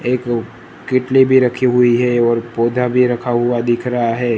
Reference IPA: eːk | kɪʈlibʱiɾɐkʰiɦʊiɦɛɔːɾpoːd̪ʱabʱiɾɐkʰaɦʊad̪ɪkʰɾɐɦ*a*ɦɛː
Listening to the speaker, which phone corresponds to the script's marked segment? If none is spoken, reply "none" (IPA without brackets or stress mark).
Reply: a